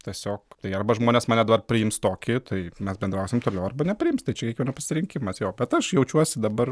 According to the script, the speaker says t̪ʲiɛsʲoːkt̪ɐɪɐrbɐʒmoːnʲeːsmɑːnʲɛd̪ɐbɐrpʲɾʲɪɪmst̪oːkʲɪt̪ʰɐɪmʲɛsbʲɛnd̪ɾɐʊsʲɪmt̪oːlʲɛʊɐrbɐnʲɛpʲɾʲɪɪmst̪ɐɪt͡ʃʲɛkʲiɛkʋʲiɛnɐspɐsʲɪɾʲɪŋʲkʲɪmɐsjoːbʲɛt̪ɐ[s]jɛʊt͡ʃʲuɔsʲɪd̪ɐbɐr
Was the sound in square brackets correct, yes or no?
no